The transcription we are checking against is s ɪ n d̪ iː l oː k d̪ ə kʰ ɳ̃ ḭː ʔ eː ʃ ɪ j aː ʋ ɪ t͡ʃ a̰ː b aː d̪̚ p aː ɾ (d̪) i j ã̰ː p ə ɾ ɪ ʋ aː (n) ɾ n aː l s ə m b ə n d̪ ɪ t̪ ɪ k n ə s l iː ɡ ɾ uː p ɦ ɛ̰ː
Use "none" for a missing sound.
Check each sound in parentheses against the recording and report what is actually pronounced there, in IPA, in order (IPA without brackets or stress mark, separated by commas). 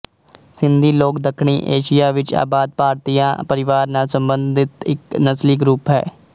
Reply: t̪, none